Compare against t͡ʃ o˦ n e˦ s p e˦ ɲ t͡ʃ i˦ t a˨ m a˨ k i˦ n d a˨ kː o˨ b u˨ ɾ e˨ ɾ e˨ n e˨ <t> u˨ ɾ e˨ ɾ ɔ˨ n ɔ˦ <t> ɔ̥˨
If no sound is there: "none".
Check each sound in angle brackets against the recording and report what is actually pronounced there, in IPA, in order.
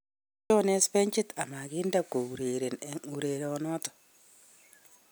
none, t

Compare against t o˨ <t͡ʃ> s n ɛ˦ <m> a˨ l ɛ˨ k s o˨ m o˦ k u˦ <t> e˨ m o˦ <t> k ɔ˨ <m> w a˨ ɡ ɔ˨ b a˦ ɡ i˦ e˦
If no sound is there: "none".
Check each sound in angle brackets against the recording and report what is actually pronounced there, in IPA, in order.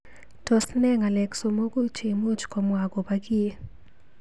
none, ŋ, t͡ʃ, t͡ʃ, m

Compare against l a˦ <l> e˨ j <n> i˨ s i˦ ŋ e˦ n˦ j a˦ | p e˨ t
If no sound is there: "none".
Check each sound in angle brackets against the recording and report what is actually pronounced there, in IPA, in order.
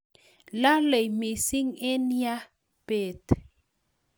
l, m

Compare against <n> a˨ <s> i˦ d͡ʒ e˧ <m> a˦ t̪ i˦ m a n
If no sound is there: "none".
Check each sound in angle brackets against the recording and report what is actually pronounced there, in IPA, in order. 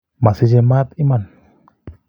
m, s, m

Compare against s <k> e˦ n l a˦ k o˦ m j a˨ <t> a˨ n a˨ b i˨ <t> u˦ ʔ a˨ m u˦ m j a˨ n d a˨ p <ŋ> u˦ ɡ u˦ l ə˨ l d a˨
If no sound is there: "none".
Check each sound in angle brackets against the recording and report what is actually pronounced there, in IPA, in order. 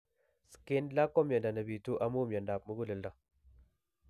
k, d, t, m

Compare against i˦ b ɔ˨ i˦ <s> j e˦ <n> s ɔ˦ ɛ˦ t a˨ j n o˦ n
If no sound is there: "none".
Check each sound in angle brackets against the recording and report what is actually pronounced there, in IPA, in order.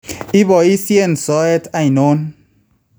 s, n

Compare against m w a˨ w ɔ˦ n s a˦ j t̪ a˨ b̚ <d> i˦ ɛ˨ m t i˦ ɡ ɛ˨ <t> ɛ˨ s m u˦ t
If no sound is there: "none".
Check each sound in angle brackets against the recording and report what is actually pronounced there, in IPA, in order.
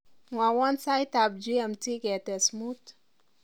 d͡ʒ, t

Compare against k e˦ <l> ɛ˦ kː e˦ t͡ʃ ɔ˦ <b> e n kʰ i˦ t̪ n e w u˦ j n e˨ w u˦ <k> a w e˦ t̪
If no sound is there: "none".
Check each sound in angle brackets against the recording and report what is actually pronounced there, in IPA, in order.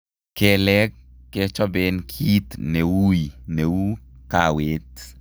l, b, k

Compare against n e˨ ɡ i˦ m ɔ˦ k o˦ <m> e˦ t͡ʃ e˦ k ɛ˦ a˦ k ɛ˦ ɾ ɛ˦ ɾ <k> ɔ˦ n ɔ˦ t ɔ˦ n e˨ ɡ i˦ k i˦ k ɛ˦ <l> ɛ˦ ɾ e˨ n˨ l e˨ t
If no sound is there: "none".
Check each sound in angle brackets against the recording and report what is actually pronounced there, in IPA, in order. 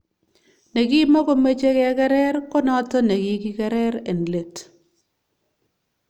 m, k, ɾ

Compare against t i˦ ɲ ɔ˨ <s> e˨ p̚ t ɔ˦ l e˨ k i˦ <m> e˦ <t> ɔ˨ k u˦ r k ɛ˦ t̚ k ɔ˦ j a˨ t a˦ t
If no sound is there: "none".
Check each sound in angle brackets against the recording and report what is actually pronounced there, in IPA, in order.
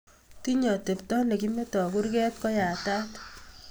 t, m, t

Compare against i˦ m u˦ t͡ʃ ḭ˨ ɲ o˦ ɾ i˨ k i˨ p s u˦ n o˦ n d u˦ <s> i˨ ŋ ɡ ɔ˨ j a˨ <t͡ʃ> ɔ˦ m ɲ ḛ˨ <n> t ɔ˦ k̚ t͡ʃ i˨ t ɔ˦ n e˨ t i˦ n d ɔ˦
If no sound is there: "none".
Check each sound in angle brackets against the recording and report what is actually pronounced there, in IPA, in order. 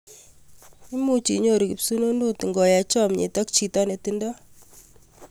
t, t͡ʃ, none

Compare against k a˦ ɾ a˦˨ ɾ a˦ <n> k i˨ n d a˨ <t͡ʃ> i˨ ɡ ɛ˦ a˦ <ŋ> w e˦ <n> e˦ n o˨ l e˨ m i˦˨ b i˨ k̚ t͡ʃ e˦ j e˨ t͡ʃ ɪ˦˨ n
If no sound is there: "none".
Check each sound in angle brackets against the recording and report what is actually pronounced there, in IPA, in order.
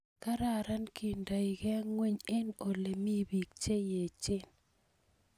n, none, ŋ, ɲ

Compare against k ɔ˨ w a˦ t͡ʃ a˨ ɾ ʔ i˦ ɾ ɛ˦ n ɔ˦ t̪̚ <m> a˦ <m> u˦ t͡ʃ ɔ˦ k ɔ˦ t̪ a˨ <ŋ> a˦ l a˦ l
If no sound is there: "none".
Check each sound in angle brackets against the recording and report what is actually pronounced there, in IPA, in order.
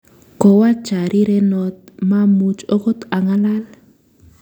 m, m, ŋ

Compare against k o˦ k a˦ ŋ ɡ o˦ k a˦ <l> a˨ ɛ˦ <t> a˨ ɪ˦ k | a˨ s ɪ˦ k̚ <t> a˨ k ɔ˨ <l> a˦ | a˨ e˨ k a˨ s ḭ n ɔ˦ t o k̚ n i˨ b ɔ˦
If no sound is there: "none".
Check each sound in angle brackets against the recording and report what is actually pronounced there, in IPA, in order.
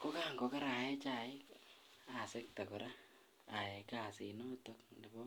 ɾ, t͡ʃ, t, ɾ

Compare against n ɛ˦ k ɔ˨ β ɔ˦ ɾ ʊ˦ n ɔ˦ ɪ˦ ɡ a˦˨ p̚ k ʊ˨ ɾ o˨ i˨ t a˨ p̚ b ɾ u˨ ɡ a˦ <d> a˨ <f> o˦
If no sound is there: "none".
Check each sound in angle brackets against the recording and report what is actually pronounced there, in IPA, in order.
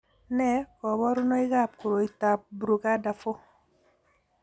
d, f

